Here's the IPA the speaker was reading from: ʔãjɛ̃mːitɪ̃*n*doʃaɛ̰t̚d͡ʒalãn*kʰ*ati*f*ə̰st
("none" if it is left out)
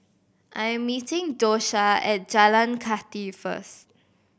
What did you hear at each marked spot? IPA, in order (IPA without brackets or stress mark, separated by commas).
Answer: ŋ, kʰ, f